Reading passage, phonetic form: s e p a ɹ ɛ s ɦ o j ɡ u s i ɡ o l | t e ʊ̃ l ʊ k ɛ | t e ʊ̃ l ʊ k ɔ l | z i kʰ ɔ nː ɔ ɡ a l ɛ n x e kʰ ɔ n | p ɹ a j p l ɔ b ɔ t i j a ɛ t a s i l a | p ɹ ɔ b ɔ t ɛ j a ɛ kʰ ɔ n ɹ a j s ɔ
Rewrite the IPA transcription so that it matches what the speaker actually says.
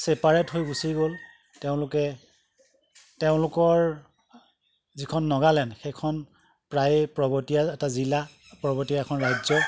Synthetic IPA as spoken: s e p a ɹ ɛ t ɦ o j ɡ u s i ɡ o l | t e ʊ̃ l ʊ k ɛ | t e ʊ̃ l ʊ k ɔ ɹ | z i kʰ ɔ nː ɔ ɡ a l ɛ n x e kʰ ɔ n | p ɹ a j p ɹ ɔ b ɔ t i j a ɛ t a z i l a | p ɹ ɔ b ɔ t i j a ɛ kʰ ɔ n ɹ a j z ɔ